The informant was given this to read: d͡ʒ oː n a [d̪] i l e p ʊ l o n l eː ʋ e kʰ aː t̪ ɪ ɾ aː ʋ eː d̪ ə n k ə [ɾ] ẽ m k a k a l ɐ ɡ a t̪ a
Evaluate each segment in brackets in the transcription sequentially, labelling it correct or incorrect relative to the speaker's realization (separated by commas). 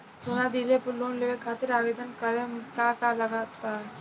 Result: correct, correct